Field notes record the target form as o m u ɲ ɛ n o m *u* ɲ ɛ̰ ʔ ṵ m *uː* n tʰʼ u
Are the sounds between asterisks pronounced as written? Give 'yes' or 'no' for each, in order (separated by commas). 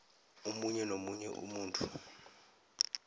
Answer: yes, yes